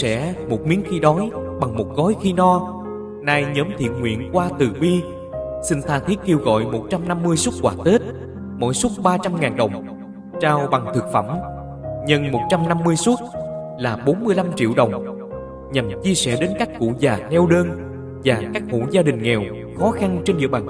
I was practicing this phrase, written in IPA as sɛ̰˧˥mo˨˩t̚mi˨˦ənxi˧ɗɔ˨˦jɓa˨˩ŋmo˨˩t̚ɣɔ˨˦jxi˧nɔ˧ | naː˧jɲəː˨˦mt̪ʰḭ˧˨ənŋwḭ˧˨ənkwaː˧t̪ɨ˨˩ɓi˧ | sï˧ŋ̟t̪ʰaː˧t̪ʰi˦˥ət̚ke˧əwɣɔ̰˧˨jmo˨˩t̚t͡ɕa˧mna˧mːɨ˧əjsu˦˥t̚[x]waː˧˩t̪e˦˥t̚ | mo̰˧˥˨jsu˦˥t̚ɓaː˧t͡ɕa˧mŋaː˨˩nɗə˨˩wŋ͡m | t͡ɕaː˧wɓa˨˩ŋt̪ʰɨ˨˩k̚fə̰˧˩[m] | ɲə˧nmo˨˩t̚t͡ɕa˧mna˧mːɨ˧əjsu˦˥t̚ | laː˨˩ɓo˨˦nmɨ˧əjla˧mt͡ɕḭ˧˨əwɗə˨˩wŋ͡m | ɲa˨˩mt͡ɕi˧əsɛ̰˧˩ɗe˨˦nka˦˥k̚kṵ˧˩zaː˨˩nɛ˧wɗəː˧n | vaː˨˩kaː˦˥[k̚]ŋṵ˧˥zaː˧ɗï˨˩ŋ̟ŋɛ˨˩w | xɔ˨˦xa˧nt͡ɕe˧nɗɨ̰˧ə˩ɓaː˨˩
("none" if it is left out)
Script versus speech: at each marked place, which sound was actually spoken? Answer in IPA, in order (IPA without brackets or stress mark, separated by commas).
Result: k, m, k̚